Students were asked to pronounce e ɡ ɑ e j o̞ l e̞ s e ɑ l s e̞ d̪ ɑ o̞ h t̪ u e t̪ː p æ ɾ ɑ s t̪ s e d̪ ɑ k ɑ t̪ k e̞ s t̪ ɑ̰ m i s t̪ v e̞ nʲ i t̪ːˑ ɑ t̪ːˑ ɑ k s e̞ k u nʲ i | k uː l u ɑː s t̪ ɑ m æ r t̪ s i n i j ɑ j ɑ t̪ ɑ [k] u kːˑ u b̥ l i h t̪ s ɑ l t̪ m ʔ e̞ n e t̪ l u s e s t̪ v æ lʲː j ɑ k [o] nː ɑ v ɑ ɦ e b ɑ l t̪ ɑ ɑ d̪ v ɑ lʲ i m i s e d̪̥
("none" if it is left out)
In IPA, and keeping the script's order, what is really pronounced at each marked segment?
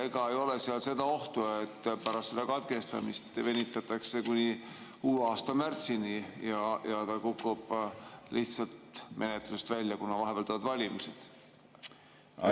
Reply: k, u

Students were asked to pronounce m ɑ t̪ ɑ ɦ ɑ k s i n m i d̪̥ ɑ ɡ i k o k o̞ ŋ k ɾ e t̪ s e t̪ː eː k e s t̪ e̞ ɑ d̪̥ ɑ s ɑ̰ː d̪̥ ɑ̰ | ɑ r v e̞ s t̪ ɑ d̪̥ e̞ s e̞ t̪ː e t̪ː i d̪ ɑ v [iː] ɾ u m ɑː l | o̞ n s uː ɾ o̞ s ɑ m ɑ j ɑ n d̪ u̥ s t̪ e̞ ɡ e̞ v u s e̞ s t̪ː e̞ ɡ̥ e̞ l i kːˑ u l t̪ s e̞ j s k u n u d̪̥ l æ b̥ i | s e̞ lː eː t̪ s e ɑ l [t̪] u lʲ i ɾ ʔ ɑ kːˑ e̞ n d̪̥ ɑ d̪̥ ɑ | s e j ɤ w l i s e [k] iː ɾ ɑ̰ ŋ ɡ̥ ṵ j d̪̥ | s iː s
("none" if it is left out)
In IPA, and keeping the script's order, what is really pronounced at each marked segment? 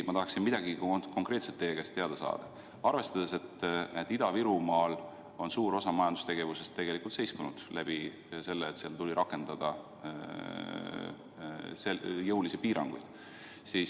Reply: i, t̪, p

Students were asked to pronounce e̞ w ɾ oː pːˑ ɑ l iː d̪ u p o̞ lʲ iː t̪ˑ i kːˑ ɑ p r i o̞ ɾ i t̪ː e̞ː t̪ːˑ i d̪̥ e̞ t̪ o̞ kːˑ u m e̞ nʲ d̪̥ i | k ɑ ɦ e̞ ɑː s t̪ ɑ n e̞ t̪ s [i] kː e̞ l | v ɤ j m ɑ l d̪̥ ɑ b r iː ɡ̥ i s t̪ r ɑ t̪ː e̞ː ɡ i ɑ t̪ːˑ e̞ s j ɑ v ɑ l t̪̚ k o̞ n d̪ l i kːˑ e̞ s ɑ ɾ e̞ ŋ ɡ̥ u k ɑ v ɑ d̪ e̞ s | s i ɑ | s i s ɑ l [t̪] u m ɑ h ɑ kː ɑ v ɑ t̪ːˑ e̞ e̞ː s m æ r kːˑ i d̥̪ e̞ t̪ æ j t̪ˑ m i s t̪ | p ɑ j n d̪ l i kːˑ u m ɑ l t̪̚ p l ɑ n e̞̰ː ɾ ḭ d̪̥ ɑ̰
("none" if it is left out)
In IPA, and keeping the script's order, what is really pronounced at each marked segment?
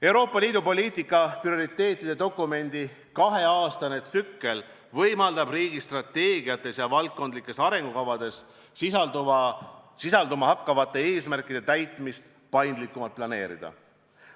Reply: y, d̪

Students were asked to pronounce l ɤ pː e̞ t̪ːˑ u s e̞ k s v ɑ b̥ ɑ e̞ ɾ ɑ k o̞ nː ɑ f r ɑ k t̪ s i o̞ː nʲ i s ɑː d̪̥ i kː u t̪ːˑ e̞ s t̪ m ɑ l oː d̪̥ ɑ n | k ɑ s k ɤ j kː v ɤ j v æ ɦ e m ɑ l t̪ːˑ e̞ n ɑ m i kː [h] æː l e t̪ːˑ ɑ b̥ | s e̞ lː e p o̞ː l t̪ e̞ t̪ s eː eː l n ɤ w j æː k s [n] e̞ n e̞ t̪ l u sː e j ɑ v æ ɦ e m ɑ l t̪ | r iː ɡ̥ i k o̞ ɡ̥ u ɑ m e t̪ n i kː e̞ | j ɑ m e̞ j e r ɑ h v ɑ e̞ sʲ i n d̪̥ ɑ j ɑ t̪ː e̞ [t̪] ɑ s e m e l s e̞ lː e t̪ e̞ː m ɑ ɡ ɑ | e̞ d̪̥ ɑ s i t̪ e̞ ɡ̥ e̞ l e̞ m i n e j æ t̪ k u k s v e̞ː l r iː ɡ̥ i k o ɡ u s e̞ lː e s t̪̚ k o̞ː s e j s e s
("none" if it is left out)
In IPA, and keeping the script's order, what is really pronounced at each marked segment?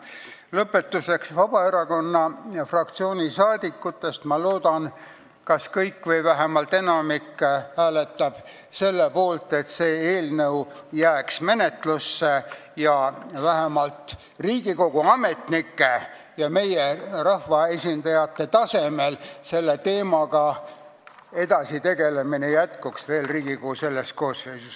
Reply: h, m, t̪

